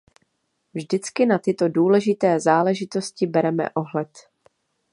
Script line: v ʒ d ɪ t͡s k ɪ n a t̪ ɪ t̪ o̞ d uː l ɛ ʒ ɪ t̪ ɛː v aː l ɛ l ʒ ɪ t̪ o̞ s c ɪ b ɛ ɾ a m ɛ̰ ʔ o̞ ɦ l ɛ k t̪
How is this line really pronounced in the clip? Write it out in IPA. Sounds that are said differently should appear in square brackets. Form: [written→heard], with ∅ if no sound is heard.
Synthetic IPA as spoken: v ʒ d ɪ t͡s k ɪ n a t̪ ɪ t̪ o̞ d uː l ɛ ʒ ɪ t̪ ɛː [v→z] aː l ɛ [l→∅] ʒ ɪ t̪ o̞ s c ɪ b ɛ ɾ [a→ɛ] m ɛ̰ ʔ o̞ ɦ l ɛ [k→∅] t̪